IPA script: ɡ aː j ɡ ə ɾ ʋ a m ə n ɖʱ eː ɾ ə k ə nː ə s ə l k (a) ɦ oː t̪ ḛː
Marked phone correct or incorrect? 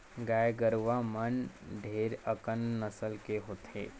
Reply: incorrect